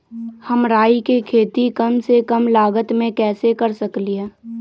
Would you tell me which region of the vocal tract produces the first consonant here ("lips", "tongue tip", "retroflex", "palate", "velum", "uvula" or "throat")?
throat